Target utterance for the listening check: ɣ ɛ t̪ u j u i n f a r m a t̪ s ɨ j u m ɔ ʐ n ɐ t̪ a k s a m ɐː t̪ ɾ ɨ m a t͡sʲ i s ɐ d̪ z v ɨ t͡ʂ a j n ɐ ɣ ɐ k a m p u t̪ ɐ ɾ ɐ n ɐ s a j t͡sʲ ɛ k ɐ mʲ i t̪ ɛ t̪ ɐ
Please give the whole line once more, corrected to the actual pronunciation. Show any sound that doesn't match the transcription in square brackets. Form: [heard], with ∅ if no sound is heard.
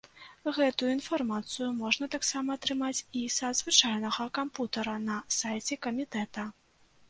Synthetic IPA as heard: ɣ ɛ t̪ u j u i n f a r m a t̪ s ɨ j u m ɔ ʐ n ɐ t̪ a k s a m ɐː t̪ ɾ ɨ m a t͡sʲ i s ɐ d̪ z v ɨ t͡ʂ a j n ɐ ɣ ɐ k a m p u t̪ ɐ ɾ ɐ n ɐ s a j t͡sʲ ɛ k ɐ mʲ i t̪ ɛ t̪ ɐ